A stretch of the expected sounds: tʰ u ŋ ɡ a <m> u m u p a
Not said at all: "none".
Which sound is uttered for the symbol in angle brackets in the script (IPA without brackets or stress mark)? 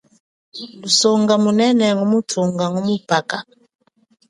ŋ